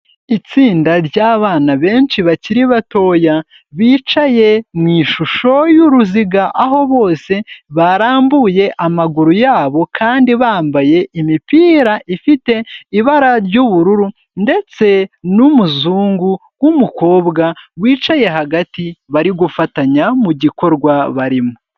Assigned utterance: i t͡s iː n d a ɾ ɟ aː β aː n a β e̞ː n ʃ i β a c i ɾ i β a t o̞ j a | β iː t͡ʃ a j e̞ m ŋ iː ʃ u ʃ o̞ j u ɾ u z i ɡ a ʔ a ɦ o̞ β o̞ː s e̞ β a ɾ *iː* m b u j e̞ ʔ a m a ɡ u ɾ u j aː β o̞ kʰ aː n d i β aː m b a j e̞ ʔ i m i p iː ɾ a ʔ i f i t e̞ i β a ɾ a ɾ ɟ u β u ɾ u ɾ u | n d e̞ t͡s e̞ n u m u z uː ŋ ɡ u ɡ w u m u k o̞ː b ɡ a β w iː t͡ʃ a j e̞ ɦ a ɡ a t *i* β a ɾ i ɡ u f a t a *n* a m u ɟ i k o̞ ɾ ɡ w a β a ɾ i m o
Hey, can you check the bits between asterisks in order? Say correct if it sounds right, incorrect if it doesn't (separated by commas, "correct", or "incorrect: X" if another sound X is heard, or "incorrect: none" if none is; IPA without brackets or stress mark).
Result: incorrect: aː, correct, incorrect: ɲ